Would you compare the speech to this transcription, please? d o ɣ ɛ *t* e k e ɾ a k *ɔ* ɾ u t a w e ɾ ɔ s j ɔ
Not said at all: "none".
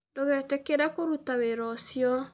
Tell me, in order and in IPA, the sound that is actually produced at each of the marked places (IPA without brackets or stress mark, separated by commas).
t, o